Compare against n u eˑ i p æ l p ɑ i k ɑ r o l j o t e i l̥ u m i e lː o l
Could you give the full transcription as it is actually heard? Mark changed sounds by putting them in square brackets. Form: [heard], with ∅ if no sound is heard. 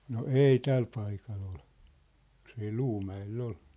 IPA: n [o] eˑ i [t] æ l p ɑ i k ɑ [l] o l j o [s] e i l̥ [uː] m [æ] e lː o l